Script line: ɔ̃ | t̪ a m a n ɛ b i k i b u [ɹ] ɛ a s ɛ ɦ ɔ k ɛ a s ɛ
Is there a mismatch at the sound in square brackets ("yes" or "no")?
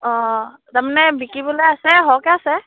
yes